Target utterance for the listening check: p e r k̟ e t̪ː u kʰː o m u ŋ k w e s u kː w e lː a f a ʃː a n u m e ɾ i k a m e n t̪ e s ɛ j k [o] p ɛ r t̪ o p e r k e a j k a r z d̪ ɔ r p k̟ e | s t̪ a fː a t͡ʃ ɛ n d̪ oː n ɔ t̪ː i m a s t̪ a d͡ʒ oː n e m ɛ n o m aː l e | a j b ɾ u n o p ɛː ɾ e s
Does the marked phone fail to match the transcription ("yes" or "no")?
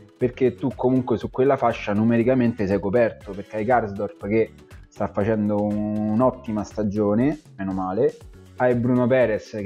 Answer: no